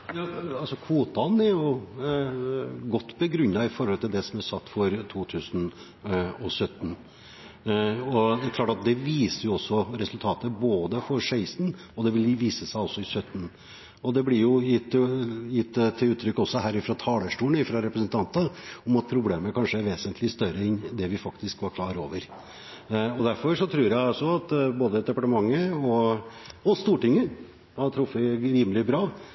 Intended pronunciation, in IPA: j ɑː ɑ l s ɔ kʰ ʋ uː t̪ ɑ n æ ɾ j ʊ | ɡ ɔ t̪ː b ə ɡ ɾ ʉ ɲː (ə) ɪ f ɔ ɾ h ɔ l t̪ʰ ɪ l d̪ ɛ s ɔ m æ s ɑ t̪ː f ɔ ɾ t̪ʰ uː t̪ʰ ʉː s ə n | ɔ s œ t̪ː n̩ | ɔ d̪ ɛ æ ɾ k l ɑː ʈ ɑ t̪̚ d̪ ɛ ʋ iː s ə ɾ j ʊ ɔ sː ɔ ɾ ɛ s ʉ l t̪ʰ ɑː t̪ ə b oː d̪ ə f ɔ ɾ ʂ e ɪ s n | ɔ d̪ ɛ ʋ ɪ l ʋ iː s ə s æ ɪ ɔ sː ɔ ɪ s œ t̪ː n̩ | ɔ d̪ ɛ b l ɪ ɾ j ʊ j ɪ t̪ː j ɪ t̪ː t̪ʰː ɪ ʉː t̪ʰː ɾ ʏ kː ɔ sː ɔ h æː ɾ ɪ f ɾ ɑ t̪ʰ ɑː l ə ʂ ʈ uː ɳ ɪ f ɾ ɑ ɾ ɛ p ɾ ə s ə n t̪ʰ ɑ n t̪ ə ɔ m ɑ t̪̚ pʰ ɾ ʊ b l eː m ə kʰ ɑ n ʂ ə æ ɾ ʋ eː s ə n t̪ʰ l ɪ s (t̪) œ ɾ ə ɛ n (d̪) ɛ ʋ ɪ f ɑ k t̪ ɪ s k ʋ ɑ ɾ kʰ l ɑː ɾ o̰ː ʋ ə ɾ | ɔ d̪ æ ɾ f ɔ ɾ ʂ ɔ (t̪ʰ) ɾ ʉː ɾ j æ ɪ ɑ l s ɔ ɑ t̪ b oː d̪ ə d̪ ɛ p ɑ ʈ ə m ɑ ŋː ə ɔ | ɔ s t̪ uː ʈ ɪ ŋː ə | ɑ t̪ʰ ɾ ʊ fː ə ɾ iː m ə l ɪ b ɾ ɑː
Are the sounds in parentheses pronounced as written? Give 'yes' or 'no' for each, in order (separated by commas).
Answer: no, yes, yes, yes